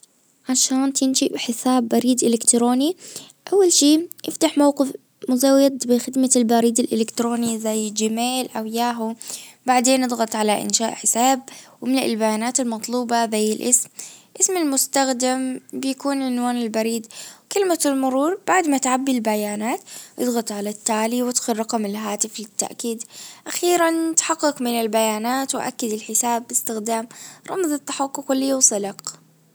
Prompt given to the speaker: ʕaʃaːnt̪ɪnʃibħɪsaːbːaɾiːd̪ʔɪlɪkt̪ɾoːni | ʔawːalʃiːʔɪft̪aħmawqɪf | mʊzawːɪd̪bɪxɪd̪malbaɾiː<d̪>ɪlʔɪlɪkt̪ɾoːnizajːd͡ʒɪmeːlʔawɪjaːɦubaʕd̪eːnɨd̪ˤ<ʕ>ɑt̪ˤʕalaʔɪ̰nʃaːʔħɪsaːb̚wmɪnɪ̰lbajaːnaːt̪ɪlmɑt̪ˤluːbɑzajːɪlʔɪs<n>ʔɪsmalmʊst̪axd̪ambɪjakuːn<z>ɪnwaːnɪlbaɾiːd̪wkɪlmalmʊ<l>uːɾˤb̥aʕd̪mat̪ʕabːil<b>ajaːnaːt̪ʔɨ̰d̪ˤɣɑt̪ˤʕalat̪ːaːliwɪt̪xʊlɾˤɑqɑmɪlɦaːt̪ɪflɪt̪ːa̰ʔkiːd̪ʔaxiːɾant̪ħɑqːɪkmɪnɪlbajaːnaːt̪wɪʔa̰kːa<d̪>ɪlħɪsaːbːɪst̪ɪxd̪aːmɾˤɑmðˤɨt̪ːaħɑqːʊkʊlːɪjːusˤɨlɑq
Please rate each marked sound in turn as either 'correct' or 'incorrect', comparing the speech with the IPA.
correct, incorrect: ɣ, incorrect: m, incorrect: ʕ, incorrect: ɾ, correct, correct

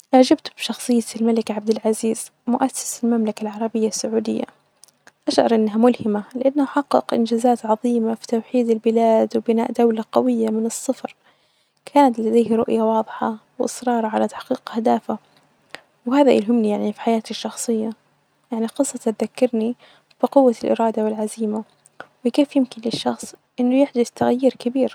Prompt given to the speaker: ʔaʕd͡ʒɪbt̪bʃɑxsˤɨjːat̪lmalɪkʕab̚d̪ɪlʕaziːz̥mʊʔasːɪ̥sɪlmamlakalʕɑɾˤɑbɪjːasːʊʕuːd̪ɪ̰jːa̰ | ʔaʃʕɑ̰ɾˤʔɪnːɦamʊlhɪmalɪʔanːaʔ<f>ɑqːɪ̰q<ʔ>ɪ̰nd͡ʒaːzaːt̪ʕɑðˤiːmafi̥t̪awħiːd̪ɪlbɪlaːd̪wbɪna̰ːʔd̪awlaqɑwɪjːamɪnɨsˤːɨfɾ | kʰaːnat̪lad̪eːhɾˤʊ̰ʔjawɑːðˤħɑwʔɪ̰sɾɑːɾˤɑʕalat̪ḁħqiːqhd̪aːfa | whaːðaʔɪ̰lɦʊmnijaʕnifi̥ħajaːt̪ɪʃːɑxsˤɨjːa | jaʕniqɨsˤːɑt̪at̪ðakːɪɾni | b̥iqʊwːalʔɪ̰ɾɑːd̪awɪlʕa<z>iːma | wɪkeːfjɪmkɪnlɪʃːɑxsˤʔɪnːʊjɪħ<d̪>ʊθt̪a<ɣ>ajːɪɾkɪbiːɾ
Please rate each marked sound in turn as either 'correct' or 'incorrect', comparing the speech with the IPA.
incorrect: ħ, correct, correct, correct, correct

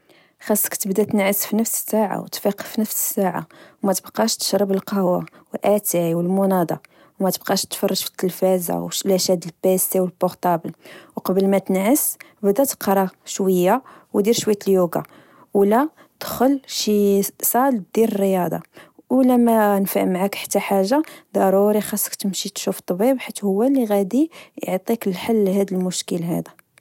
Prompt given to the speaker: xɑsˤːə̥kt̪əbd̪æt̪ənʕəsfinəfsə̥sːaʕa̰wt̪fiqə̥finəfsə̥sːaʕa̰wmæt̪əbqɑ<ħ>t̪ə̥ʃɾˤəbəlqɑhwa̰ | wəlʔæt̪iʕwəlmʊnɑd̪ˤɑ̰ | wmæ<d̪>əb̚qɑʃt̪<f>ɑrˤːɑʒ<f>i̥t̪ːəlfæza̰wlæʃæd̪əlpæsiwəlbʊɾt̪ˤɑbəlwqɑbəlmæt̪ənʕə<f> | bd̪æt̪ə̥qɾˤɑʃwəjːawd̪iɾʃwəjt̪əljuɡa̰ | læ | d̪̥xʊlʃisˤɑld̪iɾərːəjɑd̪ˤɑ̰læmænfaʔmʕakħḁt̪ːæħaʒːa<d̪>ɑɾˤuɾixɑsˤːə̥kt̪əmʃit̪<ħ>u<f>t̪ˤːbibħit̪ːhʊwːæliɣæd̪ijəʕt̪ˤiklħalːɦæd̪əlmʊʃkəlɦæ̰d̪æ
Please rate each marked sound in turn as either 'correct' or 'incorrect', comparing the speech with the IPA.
incorrect: ʃ, incorrect: t̪, correct, correct, incorrect: s, correct, incorrect: ʃ, correct

